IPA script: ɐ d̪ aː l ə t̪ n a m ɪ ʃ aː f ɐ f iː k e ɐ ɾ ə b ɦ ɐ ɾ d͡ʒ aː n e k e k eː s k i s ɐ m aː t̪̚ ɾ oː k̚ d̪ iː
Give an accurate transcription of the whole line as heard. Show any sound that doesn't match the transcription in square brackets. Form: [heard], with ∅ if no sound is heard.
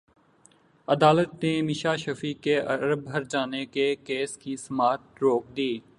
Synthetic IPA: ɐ d̪ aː l ə t̪ n [e] m ɪ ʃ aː [ʃ] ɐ f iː k e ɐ ɾ ə b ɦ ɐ ɾ d͡ʒ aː n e k e k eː s k i s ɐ m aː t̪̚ ɾ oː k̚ d̪ iː